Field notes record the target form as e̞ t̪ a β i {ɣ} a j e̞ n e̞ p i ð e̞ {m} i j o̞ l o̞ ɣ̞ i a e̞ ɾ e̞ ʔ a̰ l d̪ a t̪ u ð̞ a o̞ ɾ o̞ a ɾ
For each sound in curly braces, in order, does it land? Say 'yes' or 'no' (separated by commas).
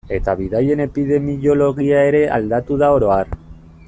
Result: no, yes